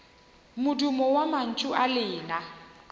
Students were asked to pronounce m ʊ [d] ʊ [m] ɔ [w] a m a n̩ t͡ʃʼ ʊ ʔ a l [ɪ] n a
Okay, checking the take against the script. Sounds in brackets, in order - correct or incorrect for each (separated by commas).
correct, correct, correct, incorrect